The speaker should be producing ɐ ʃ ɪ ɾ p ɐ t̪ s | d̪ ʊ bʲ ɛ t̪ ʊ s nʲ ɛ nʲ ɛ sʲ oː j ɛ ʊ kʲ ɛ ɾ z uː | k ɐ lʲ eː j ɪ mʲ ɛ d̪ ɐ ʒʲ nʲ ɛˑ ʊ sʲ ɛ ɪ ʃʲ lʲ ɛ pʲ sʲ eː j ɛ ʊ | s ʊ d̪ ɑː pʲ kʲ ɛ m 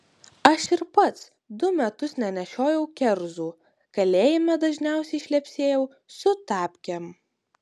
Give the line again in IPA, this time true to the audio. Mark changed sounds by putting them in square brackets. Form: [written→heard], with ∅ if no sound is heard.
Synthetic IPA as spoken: ɐ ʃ ɪ ɾ p ɐ t̪ s | d̪ ʊ [bʲ→mʲ] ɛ t̪ ʊ s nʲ ɛ nʲ ɛ [sʲ→ʃʲ] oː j ɛ ʊ kʲ ɛ ɾ z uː | k ɐ lʲ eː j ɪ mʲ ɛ d̪ ɐ ʒʲ nʲ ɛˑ ʊ sʲ ɛ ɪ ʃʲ lʲ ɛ pʲ sʲ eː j ɛ ʊ | s ʊ [d̪→t̪] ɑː pʲ kʲ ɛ m